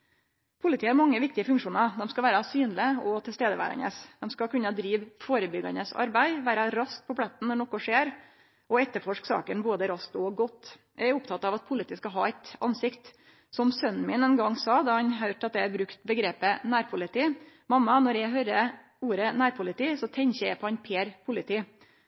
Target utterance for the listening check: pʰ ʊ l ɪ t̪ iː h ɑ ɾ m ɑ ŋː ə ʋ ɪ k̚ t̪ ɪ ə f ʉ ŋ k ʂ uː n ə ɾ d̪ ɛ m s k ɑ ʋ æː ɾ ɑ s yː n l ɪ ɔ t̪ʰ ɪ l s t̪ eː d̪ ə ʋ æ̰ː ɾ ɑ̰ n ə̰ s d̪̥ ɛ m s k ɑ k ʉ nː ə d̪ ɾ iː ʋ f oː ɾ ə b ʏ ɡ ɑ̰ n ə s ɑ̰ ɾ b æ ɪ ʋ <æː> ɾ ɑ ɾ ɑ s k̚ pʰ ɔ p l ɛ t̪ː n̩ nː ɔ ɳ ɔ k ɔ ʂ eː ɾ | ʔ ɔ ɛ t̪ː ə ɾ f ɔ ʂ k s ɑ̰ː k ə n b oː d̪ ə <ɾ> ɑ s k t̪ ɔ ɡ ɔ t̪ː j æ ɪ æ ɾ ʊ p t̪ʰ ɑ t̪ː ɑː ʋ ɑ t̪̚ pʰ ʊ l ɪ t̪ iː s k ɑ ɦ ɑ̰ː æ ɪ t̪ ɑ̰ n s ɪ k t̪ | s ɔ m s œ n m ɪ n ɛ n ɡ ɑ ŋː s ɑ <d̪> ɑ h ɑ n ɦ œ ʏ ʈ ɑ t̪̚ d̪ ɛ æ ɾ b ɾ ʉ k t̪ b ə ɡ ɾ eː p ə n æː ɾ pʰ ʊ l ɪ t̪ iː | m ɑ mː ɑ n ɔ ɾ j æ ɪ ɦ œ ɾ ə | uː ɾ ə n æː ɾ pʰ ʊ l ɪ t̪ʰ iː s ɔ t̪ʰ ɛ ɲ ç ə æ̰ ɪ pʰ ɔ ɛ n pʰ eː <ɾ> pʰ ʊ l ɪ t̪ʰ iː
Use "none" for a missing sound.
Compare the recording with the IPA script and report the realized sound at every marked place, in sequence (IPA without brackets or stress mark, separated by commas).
æː, ɾ, d̪, ɾ